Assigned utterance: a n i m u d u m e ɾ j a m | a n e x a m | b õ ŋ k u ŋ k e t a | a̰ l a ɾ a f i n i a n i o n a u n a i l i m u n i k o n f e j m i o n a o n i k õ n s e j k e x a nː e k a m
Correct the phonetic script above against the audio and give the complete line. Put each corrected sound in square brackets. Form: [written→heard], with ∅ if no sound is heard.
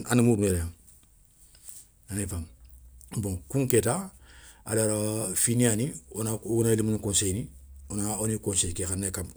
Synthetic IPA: a n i m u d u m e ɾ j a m | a n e [x→f] a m | b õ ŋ k u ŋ k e t a | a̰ l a ɾ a f i n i a n i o n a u n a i l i m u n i k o n [f→s] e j [m→n] i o n a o n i k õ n s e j k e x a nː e k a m